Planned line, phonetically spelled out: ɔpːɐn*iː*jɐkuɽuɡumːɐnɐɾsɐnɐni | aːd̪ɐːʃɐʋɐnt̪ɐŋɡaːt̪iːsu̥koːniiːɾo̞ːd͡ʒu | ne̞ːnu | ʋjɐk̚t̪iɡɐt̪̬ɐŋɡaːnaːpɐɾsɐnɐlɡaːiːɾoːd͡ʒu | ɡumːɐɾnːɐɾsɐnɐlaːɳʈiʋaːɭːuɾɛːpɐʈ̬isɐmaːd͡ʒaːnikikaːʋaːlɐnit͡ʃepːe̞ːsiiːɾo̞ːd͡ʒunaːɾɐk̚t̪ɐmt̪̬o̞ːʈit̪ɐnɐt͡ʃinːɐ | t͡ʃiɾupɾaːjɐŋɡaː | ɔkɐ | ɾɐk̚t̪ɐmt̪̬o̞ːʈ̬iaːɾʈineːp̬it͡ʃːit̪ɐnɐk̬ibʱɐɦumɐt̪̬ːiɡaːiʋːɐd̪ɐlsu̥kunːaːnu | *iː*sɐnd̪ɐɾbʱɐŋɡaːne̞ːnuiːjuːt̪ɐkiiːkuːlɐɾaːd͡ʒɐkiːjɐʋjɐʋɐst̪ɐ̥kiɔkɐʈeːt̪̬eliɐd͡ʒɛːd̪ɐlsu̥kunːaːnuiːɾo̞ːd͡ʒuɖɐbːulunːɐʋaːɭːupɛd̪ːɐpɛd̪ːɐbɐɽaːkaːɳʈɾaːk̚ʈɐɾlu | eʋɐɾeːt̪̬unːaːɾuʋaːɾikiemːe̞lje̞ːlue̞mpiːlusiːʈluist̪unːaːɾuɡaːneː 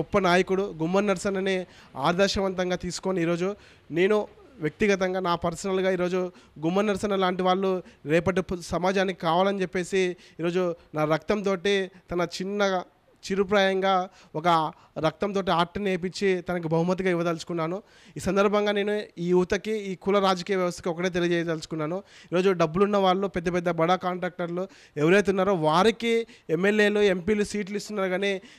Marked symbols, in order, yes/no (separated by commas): no, yes